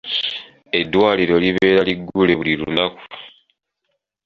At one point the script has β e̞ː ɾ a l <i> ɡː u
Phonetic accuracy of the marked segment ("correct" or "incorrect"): correct